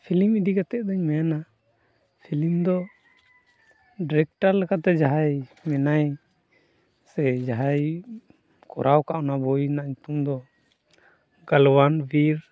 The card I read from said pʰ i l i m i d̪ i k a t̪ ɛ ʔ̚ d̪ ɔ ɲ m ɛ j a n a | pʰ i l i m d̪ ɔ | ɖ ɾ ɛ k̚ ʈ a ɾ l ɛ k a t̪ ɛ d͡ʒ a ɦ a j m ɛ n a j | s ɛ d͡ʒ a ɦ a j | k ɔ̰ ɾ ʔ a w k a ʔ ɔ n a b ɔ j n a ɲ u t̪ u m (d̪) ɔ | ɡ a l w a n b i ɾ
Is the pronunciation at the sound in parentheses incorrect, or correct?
correct